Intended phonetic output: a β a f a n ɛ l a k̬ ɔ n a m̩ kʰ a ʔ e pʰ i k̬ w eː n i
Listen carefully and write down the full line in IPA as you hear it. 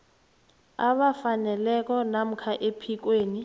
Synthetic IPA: a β a f a n ɛ l ɛ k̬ ɔ n a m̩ kʰ a ʔ e pʰ i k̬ w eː n i